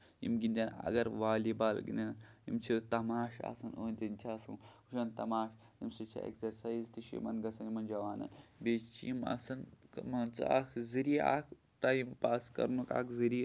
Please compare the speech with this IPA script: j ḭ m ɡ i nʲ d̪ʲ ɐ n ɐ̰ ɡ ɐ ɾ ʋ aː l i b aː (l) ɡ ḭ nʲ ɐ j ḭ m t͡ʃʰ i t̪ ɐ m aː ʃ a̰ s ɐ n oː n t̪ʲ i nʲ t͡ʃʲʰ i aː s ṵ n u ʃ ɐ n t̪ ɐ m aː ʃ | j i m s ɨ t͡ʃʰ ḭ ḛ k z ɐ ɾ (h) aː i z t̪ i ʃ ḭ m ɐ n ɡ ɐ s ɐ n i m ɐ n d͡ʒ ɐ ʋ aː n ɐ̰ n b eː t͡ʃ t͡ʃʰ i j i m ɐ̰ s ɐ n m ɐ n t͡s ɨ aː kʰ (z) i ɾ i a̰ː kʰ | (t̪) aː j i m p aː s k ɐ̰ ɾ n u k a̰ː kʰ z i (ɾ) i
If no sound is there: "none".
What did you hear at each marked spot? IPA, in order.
l, s, z, t̪, ɾ

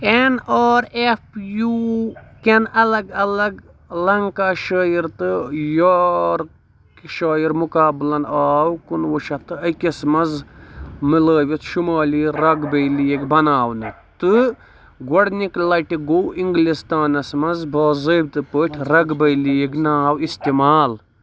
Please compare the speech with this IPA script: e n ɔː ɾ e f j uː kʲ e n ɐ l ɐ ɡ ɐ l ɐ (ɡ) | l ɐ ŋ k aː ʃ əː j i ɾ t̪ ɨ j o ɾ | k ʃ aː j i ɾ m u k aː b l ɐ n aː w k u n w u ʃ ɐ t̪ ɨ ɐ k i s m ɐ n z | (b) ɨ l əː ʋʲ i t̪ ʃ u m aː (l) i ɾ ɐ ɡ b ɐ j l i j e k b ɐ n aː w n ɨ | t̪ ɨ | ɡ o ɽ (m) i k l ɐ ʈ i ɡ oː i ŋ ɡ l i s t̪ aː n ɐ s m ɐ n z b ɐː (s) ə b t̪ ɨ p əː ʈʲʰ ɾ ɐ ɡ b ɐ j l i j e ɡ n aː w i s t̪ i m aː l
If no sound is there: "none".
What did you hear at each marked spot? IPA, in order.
ɡ, m, l, n, z

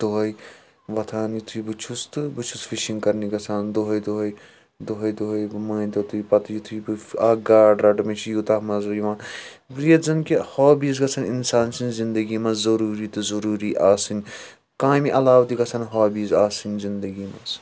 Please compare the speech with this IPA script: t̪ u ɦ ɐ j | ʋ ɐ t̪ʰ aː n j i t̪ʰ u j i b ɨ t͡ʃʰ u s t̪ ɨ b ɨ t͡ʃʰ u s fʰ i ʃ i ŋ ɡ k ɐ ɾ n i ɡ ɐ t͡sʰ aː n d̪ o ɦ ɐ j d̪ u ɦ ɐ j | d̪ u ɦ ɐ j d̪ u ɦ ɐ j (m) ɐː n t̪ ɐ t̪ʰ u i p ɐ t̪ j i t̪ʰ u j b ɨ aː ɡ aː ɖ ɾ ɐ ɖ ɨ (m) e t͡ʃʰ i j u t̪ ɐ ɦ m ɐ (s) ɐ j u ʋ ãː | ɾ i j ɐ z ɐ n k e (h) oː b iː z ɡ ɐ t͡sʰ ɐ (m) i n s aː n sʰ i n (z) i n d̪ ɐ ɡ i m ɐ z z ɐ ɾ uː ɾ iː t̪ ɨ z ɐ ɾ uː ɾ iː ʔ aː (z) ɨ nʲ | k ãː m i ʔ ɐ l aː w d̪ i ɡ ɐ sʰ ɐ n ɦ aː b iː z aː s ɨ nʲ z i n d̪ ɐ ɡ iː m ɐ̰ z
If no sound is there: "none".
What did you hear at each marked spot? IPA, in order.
m, m, z, h, n, z, s

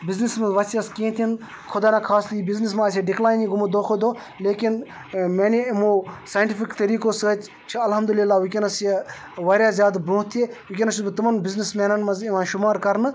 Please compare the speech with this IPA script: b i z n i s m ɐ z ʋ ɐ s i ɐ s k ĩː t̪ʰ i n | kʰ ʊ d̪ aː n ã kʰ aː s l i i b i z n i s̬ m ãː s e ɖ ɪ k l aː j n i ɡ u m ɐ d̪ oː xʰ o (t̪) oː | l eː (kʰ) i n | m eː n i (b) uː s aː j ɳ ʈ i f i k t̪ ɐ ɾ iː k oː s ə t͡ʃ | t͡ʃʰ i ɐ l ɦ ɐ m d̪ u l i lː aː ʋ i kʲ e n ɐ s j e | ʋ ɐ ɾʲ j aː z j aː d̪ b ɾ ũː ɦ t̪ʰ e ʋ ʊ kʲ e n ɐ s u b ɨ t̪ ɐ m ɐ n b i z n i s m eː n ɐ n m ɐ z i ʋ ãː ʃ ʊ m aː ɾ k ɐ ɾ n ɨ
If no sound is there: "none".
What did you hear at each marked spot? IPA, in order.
d̪, k, m

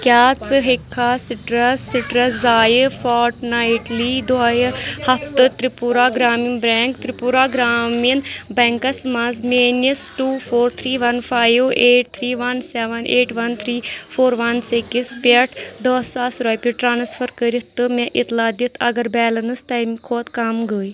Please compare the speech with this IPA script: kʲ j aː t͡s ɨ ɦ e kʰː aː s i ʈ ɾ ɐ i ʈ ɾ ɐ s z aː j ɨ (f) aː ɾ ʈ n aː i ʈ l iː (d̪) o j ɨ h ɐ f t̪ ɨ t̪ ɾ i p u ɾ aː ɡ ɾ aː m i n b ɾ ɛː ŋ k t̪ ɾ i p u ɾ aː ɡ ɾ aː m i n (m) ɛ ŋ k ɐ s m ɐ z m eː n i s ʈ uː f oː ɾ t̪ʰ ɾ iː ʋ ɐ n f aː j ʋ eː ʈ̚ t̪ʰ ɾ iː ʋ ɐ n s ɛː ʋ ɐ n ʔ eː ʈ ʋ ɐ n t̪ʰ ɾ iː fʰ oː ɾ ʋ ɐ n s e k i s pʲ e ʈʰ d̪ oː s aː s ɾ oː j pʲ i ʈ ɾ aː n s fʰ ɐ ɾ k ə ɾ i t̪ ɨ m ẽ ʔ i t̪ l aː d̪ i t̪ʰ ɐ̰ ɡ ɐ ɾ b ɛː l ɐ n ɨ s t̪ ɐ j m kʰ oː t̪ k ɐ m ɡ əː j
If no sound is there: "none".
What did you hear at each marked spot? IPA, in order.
f, d̪, b

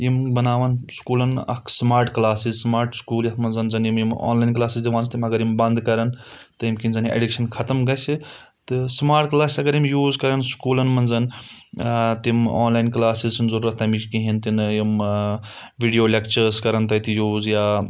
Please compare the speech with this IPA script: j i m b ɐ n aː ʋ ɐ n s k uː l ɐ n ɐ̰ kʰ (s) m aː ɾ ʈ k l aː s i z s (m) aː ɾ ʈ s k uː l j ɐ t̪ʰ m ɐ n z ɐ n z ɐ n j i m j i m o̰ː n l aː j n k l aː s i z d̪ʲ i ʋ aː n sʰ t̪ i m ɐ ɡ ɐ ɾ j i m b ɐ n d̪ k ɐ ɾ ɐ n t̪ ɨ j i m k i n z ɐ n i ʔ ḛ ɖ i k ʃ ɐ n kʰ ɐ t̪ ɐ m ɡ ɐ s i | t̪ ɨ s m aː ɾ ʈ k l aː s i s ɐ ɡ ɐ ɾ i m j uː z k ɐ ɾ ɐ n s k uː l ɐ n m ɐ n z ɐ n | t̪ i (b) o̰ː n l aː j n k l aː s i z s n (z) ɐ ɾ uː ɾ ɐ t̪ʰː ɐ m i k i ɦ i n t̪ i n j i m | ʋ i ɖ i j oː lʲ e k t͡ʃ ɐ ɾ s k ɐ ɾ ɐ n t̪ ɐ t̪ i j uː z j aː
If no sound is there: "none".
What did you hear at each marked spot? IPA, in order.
s, m, m, z

